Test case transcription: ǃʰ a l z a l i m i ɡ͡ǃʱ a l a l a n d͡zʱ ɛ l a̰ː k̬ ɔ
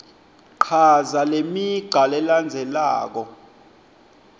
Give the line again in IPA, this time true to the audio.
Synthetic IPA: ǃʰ a z a l e m i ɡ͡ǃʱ a l ɛ l a n d͡zʱ ɛ l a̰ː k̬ ɔ